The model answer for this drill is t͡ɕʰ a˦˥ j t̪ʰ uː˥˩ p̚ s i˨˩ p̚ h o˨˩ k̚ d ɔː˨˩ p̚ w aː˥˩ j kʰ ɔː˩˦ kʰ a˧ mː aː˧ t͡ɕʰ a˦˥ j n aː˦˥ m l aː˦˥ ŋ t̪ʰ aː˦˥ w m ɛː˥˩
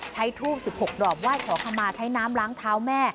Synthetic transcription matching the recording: t͡ɕʰ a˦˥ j t̪ʰ uː˥˩ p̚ s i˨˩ p̚ h o˨˩ k̚ d ɔː˨˩ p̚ w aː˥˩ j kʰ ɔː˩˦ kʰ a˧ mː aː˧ t͡ɕʰ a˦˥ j n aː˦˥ m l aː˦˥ ŋ t̪ʰ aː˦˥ w m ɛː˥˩